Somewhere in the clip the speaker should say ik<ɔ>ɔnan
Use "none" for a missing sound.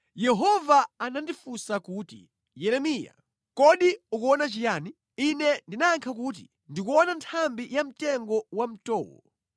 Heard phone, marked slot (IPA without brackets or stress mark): u